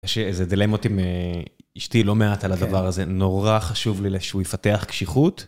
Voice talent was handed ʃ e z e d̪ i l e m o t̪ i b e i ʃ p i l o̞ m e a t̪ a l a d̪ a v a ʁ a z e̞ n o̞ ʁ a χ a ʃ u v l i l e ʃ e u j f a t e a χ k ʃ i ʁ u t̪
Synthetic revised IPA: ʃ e z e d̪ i l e m o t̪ i m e i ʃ t i l o̞ m e a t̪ a l a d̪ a v a ʁ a z e̞ n o̞ ʁ a χ a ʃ u v l i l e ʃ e u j f a t e a χ k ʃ i χ u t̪